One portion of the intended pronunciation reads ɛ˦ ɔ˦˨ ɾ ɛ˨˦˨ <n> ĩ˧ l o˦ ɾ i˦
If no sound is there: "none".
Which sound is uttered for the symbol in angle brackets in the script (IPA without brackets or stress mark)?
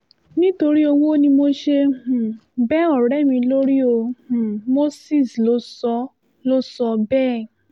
m